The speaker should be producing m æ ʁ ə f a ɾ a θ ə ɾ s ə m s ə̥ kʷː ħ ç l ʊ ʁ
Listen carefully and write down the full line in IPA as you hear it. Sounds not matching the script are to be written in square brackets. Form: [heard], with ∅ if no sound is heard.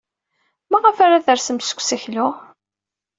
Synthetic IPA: m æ ʁ ə f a ɾ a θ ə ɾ s ə m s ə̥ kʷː [s] ç l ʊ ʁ